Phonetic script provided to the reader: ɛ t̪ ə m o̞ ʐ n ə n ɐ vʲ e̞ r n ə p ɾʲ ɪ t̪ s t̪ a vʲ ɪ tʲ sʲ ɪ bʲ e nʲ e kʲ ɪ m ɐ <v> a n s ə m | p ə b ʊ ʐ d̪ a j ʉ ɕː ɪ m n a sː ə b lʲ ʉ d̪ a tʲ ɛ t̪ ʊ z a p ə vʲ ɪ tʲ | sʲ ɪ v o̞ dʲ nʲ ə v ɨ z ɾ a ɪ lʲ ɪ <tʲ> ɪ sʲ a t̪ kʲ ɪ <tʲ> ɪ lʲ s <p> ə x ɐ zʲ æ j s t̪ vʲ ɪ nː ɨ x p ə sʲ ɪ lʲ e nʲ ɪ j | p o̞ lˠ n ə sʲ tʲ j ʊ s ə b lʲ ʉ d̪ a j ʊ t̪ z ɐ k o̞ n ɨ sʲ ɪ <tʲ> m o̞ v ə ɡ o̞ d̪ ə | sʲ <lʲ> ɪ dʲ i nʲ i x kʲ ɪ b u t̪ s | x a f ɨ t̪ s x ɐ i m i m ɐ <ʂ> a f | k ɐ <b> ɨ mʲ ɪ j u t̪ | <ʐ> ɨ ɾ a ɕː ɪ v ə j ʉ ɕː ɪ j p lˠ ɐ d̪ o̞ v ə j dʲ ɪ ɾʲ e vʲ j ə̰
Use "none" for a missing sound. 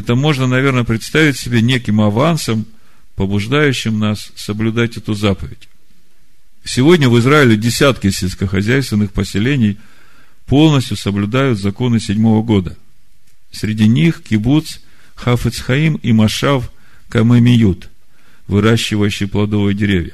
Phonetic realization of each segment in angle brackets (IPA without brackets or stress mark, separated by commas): v, dʲ, sʲ, k, dʲ, ɾʲ, ʂ, m, v